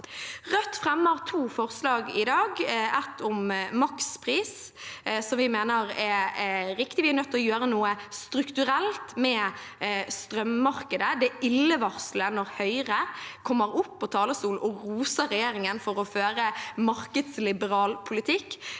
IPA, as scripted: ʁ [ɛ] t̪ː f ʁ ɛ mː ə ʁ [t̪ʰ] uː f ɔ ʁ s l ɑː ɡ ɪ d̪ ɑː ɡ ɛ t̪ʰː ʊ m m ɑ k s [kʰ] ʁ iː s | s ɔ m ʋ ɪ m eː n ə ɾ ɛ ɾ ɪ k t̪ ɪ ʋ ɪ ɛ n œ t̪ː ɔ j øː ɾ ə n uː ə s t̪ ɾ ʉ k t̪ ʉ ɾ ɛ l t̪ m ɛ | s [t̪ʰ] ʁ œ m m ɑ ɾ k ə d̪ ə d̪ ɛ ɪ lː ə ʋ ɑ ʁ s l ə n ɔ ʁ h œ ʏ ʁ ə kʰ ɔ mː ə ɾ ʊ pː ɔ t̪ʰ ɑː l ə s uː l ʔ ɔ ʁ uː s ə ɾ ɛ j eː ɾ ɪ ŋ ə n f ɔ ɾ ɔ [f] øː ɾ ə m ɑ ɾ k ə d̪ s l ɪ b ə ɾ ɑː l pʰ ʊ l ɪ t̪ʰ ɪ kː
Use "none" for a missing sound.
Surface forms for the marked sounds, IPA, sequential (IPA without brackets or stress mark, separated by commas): œ, t̪ʰ, pʰ, t̪, f